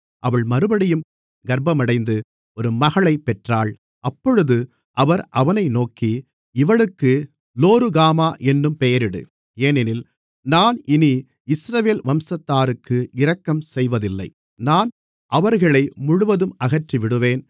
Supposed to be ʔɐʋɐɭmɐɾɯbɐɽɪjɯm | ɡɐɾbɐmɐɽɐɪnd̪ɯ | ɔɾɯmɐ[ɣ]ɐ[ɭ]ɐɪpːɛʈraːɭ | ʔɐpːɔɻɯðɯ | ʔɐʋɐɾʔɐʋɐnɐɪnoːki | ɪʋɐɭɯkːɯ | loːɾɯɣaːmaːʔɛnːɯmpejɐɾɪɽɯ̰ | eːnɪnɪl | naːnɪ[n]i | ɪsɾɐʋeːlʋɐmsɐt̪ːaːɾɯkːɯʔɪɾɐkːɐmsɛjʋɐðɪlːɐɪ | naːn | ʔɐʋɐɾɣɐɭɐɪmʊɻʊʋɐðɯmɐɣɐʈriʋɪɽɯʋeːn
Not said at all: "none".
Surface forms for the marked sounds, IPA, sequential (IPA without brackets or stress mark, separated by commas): ɣ, ɭ, n